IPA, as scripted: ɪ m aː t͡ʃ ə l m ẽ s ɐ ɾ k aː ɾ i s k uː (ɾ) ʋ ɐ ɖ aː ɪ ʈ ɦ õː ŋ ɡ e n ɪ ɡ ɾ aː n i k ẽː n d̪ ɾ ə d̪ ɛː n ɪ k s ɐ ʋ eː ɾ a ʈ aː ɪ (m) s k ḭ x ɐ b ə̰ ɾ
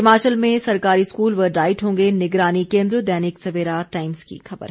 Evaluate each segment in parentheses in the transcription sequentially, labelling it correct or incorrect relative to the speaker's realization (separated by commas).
incorrect, correct